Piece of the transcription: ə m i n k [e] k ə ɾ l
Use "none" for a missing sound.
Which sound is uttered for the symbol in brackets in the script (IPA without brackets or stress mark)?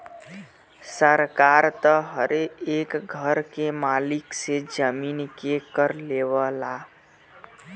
e